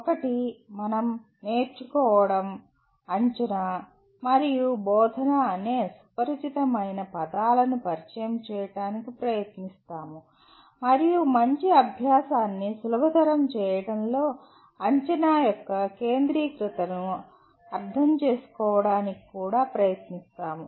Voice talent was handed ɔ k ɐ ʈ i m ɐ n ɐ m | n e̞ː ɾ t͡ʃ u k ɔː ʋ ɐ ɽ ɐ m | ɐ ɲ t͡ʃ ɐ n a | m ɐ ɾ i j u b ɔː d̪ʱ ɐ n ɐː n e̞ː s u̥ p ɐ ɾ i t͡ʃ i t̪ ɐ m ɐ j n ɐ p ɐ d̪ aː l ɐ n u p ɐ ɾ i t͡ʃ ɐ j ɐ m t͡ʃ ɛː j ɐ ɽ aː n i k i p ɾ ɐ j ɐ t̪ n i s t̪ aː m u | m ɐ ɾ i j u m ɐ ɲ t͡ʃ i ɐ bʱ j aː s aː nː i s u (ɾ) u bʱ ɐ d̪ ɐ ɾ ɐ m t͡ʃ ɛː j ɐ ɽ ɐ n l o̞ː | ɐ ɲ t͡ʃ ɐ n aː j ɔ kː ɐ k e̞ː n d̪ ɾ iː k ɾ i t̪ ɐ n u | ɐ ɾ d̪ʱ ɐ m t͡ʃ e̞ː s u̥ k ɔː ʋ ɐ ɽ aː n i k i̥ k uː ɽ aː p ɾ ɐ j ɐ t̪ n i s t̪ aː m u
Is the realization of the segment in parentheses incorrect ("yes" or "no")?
yes